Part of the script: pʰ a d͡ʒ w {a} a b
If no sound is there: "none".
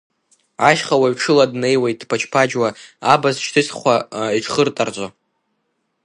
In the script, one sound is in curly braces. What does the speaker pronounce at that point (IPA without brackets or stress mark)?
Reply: a